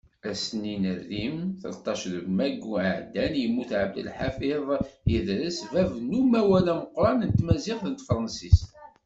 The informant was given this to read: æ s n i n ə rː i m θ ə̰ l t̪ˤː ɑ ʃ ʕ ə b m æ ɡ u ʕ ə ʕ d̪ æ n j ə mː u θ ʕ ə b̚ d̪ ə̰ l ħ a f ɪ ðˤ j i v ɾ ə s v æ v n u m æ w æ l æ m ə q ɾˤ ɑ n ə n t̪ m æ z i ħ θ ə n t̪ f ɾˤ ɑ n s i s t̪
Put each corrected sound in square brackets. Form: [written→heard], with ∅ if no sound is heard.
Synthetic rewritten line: æ s n i n ə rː i m θ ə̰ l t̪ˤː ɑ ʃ [ʕ→ð] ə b m æ ɡ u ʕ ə ʕ d̪ æ n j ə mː u θ ʕ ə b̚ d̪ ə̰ l ħ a f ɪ ðˤ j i [v→ð] ɾ ə s v æ v n u m æ w æ l æ m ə q ɾˤ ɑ n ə n t̪ m æ z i ħ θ ə n t̪ f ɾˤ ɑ n s i s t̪